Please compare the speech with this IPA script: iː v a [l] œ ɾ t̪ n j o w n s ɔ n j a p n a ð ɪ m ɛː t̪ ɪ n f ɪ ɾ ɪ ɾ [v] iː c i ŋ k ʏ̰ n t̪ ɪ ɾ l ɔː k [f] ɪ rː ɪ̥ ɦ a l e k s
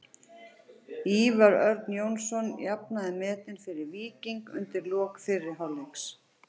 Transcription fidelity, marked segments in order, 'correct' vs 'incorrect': incorrect: ɾ, correct, correct

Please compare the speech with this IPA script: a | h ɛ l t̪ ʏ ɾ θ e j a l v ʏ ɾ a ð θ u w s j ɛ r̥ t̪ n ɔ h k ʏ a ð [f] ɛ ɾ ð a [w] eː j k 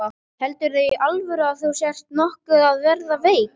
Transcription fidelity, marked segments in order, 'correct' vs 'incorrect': incorrect: v, incorrect: v

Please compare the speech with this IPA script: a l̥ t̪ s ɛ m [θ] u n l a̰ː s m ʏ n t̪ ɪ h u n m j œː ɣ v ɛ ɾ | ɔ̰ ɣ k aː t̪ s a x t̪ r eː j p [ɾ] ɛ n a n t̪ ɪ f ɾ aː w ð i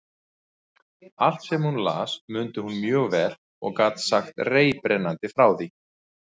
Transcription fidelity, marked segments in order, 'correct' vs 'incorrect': incorrect: h, correct

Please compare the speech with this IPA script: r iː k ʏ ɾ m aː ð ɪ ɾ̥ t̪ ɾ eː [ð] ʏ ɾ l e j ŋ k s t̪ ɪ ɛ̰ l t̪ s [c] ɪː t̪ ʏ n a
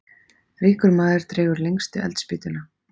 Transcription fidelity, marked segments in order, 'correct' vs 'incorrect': incorrect: ɣ, incorrect: p

